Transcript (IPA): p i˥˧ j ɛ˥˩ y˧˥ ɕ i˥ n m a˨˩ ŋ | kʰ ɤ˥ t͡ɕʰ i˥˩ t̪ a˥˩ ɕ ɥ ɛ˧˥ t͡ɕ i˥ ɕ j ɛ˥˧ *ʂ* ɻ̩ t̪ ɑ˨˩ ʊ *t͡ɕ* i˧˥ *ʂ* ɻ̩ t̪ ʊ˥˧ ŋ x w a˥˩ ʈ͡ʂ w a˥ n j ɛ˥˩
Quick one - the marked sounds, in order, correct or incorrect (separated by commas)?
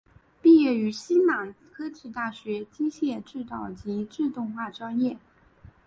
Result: incorrect, correct, incorrect